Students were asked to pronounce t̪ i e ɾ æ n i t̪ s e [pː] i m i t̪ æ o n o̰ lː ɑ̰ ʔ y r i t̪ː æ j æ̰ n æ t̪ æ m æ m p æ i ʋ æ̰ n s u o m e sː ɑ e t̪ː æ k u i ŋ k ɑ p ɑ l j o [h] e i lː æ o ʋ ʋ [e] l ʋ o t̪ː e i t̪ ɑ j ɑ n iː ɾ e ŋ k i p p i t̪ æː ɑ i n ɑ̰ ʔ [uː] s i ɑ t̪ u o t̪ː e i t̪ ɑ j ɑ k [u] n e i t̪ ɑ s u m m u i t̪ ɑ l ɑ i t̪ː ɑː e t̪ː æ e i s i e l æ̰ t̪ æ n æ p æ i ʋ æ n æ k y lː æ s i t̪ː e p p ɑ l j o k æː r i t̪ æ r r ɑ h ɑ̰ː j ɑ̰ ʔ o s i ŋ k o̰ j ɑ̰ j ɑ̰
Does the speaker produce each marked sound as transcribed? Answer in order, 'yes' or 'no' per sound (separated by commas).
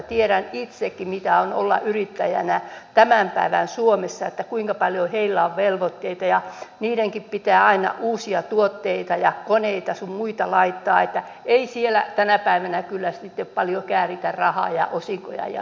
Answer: no, yes, yes, yes, no